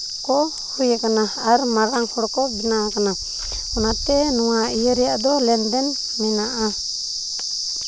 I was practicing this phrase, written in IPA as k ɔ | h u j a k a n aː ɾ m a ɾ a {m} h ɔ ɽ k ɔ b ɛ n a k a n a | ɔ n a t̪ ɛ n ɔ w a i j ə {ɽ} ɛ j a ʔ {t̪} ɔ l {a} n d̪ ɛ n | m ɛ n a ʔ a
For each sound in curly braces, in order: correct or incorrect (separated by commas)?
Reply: incorrect, incorrect, incorrect, incorrect